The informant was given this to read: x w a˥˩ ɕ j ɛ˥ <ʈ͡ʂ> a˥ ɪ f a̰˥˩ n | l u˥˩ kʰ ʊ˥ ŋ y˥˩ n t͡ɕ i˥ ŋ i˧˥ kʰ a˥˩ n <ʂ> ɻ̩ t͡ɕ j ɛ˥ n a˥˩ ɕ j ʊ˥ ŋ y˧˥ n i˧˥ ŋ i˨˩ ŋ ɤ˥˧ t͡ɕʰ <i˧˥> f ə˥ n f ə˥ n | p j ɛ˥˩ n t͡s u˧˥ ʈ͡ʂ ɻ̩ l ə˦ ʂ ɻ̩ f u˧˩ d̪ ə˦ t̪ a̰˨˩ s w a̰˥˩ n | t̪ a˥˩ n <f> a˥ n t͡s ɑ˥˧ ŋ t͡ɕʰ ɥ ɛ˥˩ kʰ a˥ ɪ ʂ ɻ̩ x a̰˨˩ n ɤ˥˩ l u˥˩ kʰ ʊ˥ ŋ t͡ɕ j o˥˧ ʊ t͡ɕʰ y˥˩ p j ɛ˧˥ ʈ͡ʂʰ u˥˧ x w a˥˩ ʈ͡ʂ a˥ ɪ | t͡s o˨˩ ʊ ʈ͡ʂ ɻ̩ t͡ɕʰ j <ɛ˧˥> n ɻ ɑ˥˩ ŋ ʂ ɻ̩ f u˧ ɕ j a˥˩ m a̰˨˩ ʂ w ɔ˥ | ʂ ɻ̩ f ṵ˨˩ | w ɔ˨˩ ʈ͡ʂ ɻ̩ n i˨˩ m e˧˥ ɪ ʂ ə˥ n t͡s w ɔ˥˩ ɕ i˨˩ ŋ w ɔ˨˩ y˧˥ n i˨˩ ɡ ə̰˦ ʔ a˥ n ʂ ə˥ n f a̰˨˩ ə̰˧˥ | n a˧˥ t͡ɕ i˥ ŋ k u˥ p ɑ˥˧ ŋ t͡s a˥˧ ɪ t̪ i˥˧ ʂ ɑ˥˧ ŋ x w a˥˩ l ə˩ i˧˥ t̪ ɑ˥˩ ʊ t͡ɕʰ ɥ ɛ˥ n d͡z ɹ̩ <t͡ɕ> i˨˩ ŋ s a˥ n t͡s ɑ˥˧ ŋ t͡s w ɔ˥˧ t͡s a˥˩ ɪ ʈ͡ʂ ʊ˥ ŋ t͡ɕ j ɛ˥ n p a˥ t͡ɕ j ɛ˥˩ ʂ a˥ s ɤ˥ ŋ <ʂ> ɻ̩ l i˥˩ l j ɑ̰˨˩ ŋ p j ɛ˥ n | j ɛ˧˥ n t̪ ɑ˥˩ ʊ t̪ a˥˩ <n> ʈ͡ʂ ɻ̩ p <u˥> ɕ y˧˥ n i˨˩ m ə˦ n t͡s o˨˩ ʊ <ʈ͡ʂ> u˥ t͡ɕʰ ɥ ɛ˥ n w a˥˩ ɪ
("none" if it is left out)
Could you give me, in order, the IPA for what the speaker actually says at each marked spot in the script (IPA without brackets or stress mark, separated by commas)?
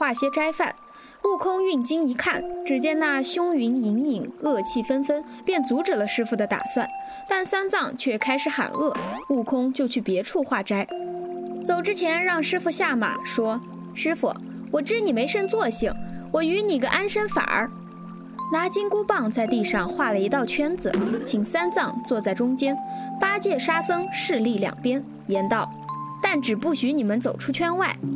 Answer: ʈ͡ʂ, ʈ͡ʂ, i˥˩, s, ɛ˧˥, t͡ɕʰ, ʂ, n, u˥˩, ʈ͡ʂʰ